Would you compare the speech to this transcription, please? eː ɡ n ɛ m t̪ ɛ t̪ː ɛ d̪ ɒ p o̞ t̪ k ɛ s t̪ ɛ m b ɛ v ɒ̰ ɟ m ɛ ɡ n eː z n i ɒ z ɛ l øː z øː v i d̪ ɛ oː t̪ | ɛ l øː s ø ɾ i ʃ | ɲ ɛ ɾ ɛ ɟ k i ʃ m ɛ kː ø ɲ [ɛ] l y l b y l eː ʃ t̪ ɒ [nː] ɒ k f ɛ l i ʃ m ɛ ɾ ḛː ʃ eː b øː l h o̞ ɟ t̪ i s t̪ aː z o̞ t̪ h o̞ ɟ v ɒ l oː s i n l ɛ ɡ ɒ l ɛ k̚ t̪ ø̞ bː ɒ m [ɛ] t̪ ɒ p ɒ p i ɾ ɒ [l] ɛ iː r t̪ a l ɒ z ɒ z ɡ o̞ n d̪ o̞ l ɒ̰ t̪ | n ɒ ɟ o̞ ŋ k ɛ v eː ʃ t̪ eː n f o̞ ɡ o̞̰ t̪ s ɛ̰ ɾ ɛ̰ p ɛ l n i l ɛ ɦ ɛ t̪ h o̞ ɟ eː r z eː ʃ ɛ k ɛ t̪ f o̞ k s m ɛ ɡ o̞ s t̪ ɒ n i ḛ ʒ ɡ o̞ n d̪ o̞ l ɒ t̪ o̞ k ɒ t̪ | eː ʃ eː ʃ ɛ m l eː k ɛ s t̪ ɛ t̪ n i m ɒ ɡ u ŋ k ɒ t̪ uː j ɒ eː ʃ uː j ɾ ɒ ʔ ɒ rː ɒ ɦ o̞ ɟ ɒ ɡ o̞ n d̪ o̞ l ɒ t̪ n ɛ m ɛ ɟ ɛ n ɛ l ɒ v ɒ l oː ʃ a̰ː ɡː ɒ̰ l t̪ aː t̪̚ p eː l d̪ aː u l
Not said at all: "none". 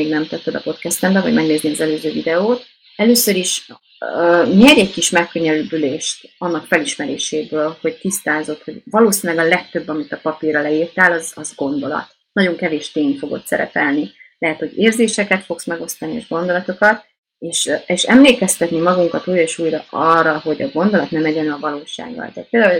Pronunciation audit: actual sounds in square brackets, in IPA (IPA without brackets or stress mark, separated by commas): ɛ, nː, i, l